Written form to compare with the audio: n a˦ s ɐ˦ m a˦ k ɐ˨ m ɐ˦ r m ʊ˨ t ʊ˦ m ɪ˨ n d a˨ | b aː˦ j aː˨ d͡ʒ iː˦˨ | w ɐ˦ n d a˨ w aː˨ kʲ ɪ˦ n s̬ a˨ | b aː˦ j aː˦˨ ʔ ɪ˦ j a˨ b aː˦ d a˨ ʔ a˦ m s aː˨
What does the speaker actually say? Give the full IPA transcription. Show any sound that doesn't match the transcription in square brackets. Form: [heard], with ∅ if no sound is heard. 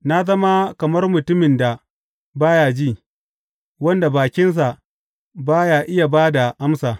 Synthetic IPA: n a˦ [z] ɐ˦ m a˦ k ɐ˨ m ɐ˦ r m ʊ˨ t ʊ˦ m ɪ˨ n d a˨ | b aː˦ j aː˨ d͡ʒ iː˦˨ | w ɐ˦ n d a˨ [b] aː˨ kʲ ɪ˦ n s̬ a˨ | b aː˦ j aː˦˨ ʔ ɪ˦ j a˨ b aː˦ d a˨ ʔ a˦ m s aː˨